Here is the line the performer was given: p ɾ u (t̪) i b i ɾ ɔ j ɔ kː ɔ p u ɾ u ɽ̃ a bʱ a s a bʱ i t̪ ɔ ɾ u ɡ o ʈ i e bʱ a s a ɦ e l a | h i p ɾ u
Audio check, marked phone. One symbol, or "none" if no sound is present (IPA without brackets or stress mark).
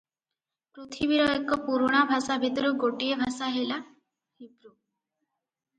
t̪ʰ